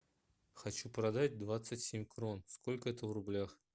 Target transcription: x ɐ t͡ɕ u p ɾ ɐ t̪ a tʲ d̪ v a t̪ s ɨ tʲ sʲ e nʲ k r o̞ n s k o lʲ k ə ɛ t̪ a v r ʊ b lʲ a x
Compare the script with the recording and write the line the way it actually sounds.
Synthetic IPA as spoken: x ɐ t͡ɕ u p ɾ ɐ d̪ a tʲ d̪ v a t̪ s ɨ tʲ sʲ e mʲ k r o̞ n s k o lʲ k ə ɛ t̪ ə v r ʊ b lʲ a x